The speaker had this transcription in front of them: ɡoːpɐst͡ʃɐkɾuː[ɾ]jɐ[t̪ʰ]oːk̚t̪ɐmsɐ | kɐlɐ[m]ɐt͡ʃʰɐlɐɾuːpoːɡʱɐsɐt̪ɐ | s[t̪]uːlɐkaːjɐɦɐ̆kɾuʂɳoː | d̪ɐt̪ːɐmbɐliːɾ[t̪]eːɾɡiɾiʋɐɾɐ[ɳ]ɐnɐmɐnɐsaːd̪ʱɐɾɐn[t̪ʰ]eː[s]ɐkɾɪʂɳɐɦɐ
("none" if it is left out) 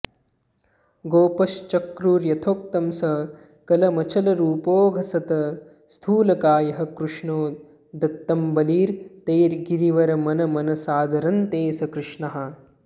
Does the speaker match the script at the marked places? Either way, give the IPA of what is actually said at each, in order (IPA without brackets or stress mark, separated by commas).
ɾ, t̪ʰ, m, t̪ʰ, t̪, m, t̪, s